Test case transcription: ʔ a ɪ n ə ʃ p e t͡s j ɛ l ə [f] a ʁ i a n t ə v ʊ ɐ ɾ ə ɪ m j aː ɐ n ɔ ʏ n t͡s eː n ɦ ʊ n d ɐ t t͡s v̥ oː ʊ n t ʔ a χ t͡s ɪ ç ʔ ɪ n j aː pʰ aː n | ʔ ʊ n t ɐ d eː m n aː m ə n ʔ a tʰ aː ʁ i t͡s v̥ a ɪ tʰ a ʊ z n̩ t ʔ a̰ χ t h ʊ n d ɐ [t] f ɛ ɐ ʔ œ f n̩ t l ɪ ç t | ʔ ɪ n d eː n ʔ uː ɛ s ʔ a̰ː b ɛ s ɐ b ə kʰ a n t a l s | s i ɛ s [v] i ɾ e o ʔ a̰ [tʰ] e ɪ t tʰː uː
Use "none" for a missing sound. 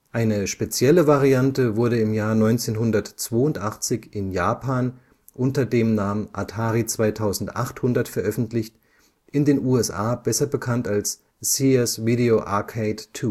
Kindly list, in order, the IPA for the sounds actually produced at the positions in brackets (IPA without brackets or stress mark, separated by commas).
v, t, v, kʰ